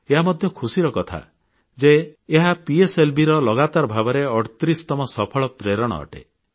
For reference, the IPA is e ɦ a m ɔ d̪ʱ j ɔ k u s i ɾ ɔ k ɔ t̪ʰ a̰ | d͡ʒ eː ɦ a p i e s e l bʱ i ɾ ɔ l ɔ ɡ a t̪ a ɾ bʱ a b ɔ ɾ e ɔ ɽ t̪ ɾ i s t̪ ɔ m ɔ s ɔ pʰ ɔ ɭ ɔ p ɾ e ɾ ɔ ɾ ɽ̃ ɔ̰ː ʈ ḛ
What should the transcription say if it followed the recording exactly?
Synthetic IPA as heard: e ɦ a m ɔ d̪ʱ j ɔ kʰ u s i ɾ ɔ k ɔ t̪ʰ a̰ | d͡ʒ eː ɦ a p i e s e l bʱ i ɾ ɔ l ɔ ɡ a t̪ a ɾ bʱ a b ɔ ɾ e ɔ ɽ t̪ ɾ i s t̪ ɔ m ɔ s ɔ pʰ ɔ ɭ ɔ p ɾ e ɾ ɔ ɽ̃ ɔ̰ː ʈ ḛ

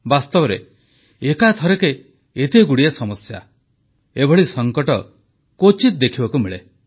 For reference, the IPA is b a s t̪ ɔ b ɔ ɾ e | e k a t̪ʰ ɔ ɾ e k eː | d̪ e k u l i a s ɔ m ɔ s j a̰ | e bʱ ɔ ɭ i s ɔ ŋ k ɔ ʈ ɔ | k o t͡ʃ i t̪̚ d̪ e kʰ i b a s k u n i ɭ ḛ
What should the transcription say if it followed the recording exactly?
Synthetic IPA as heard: b a s t̪ ɔ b ɔ ɾ e | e k a t̪ʰ ɔ ɾ e k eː | t̪ e ɡ u ɽ i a s ɔ m ɔ s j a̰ | e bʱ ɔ ɭ i s ɔ ŋ k ɔ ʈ ɔ | k o t͡ʃ i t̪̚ d̪ e kʰ i b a k u m i ɭ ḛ

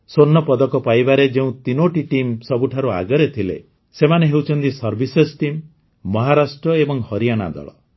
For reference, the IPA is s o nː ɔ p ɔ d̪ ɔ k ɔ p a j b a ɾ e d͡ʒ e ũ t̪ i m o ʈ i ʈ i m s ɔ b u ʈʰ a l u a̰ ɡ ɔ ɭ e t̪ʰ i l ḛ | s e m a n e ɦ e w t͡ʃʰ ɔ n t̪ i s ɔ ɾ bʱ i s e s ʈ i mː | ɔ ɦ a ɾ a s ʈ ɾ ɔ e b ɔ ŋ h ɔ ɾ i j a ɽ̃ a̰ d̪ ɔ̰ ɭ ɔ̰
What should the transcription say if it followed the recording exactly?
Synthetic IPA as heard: s o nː ɔ p ɔ d̪ ɔ k ɔ p a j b a ɾ e d͡ʒ e ũ t̪ i n o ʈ i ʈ i m s ɔ b u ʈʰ a ɾ u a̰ ɡ ɔ ɾ e t̪ʰ i l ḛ | s e m a n e ɦ e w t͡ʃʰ ɔ n t̪ i s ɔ ɾ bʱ i s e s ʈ i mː | ɔ ɦ a ɾ a s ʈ ɾ ɔ e b ɔ ŋ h ɔ ɾ i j a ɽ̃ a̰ d̪ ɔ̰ ɭ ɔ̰

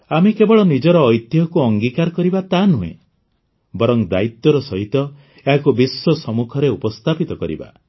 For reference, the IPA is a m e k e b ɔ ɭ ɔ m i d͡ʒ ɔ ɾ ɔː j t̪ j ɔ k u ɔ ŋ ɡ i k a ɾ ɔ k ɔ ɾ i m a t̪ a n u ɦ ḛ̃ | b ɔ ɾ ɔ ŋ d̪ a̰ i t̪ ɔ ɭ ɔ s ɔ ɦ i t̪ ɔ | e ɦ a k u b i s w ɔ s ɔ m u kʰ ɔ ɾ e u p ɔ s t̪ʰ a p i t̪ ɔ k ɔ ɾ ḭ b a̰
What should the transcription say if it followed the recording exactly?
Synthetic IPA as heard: a m e k e b ɔ ɭ ɔ n i d͡ʒ ɔ ɾ ɔː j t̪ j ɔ k u ɔ ŋ ɡ i k a ɾ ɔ k ɔ ɾ i b a t̪ a n u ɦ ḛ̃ | b ɔ ɾ ɔ ŋ d̪ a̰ i t̪ ɔ ɾ ɔ s ɔ ɦ i t̪ ɔ | e ɦ a k u b i s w ɔ s ɔ m u kʰ ɔ ɾ e u p ɔ s t̪ʰ a p i t̪ ɔ k ɔ ɾ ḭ b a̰

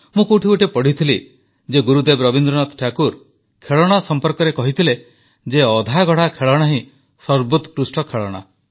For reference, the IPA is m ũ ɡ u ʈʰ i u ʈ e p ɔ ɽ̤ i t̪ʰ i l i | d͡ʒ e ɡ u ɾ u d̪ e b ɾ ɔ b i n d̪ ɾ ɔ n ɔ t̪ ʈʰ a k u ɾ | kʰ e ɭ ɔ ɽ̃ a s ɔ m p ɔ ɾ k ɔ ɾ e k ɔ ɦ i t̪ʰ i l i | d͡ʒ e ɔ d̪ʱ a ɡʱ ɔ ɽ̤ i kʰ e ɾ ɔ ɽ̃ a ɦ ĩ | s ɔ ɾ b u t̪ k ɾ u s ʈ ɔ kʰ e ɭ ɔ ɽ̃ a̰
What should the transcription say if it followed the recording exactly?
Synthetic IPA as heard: m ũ k u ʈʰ i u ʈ e p ɔ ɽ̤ i t̪ʰ i l i | d͡ʒ e ɡ u ɾ u d̪ e b ɾ ɔ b i n d̪ ɾ ɔ n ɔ t̪ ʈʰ a k u ɾ | kʰ e ɭ ɔ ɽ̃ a s ɔ m p ɔ ɾ k ɔ ɾ e k ɔ ɦ i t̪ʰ i l e | d͡ʒ e ɔ d̪ʱ a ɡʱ ɔ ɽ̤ a kʰ e ɭ ɔ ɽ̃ a ɦ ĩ | s ɔ ɾ b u t̪ k ɾ u s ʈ ɔ kʰ e ɭ ɔ ɽ̃ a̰

